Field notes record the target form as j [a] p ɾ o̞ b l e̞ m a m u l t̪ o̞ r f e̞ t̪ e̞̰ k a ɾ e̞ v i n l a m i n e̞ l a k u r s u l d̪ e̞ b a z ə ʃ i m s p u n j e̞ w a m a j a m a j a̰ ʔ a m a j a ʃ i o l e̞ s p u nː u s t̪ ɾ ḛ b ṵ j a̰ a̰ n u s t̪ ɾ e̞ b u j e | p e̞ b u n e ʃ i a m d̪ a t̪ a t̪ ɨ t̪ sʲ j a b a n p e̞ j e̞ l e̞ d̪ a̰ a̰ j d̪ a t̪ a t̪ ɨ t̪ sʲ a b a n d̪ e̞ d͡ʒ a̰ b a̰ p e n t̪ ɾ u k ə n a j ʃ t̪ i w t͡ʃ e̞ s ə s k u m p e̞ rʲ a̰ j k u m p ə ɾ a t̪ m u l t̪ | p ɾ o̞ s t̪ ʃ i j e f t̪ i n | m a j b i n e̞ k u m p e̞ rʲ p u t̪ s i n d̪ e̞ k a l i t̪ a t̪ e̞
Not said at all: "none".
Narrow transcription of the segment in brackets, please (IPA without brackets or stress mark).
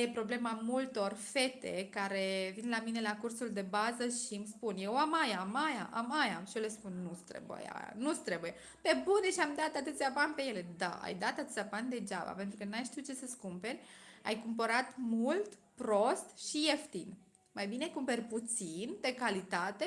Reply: e